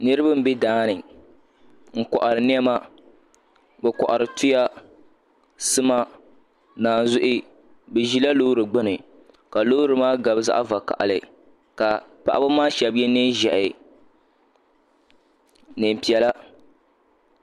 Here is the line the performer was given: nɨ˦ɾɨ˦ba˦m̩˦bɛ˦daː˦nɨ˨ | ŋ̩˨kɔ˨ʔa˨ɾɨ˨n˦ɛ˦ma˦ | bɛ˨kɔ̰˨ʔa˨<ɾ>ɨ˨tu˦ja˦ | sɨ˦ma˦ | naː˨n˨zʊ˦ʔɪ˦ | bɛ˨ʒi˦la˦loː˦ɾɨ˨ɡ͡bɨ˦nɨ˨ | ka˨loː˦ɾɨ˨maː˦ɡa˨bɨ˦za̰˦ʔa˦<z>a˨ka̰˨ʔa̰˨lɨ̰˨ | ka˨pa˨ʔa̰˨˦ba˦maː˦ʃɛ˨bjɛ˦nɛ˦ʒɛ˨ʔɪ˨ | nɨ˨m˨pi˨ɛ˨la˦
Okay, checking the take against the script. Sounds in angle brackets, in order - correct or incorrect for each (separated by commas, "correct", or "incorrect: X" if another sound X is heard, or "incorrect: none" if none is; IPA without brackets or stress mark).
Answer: correct, incorrect: v